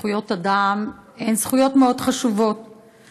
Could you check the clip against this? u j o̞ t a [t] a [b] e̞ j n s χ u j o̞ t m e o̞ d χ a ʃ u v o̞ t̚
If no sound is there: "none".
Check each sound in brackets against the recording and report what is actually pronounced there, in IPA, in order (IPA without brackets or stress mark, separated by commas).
d, m